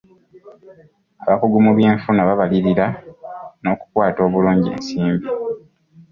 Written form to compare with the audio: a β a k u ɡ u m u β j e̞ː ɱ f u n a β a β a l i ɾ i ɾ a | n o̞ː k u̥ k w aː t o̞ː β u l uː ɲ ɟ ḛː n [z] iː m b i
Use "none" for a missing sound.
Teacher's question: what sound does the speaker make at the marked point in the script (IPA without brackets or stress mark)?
s